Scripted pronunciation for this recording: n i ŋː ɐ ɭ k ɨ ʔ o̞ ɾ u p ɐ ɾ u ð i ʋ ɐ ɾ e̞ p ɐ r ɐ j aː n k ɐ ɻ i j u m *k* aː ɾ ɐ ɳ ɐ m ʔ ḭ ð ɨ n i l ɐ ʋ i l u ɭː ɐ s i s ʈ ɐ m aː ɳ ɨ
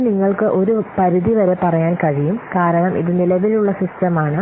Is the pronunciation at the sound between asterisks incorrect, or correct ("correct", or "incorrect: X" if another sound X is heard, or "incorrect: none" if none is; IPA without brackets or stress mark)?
correct